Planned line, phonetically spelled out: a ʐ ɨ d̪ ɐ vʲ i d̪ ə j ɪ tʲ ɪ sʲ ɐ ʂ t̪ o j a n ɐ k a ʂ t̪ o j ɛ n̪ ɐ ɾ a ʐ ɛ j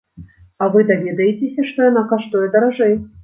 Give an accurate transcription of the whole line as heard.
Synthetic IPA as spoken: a v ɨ d̪ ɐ vʲ e d̪ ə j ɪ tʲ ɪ sʲ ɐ ʂ t̪ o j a n a k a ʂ t̪ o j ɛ d̪ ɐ ɾ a ʐ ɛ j